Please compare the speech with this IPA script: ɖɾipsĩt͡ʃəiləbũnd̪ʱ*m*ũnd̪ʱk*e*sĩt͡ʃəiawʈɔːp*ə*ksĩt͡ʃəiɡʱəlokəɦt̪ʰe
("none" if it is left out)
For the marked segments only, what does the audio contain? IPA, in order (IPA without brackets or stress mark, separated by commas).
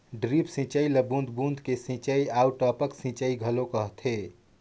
b, e, ə